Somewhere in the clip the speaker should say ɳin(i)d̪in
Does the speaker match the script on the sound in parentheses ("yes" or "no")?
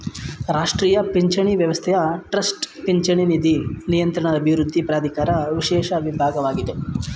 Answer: yes